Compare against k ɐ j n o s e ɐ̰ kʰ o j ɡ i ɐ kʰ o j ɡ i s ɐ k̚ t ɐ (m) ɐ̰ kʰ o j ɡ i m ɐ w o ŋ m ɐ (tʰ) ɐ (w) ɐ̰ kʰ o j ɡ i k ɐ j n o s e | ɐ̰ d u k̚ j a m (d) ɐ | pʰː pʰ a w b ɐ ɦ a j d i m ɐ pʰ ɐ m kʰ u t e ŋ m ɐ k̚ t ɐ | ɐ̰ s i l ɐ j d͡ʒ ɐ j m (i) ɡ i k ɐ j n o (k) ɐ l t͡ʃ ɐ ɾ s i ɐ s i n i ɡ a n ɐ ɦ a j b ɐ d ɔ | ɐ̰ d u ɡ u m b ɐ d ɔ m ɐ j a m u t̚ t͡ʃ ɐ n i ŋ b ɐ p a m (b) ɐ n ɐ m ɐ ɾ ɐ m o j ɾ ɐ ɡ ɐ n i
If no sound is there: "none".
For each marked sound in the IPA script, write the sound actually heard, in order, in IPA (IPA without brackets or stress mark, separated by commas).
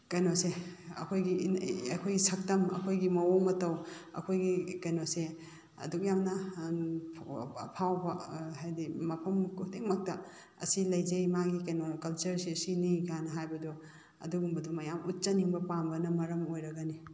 m, t, w, n, a, k, b